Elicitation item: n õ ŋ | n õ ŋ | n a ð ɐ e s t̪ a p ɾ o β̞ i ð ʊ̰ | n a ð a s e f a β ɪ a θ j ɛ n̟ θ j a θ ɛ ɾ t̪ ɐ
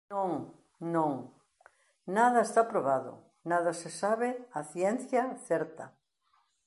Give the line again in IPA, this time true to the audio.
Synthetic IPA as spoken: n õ ŋ | n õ ŋ | n a ð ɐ e s t̪ a p ɾ o β̞ a ð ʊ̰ | n a ð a s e s a β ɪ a θ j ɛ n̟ θ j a θ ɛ ɾ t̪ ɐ